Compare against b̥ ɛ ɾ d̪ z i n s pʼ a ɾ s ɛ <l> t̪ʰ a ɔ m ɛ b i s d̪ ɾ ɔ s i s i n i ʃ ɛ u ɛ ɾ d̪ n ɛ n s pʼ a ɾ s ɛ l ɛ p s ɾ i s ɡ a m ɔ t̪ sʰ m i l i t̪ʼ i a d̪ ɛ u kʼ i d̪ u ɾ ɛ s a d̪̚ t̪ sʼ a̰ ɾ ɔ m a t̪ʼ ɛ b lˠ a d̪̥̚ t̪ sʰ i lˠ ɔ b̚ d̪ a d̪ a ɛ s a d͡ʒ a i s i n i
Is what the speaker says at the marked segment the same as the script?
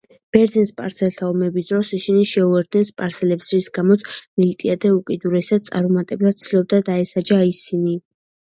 yes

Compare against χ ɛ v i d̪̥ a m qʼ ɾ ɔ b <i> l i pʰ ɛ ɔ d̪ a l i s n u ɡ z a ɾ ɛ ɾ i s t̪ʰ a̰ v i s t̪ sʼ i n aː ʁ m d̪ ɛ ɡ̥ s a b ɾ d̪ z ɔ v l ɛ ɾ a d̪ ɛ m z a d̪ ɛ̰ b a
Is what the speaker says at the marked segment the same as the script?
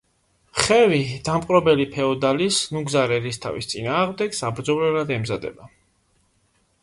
no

